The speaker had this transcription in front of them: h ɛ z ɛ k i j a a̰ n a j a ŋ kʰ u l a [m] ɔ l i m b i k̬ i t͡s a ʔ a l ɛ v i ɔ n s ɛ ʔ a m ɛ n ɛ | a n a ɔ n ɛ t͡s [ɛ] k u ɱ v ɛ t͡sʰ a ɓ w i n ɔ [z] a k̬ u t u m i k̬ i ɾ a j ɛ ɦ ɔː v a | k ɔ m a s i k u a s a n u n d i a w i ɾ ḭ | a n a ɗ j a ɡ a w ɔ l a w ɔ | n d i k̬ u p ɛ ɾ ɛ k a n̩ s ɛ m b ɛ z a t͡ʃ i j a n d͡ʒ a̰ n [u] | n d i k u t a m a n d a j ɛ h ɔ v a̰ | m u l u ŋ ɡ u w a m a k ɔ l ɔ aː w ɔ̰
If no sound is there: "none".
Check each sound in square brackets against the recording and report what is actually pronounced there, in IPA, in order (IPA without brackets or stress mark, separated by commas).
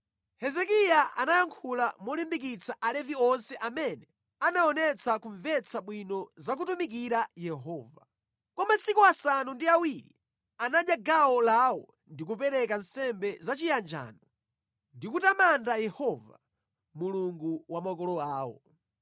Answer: m, a, z, ɔ